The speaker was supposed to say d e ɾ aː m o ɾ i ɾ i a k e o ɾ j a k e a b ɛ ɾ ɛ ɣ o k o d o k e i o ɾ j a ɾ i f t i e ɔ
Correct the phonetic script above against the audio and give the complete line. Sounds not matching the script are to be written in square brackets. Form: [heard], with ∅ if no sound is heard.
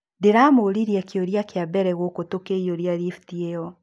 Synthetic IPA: d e ɾ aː m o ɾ i ɾ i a k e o ɾ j a k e a b ɛ ɾ ɛ ɣ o k o [t] o k e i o ɾ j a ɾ i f t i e ɔ